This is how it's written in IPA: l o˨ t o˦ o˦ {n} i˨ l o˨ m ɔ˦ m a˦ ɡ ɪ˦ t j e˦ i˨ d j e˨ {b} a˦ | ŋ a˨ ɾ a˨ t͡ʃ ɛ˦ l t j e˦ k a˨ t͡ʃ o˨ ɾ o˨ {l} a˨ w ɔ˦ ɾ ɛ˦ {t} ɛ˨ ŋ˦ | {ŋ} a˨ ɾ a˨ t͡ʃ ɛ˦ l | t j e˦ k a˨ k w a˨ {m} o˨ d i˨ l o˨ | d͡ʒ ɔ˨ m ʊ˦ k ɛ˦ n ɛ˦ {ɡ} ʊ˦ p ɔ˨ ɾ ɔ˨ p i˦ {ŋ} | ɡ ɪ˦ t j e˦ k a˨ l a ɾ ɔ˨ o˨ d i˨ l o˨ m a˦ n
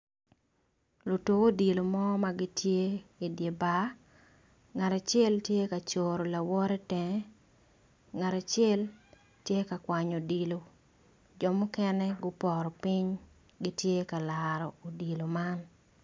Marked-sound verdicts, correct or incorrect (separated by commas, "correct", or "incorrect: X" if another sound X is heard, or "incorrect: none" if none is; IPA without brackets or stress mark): incorrect: d, correct, correct, correct, correct, incorrect: ɲ, correct, incorrect: ɲ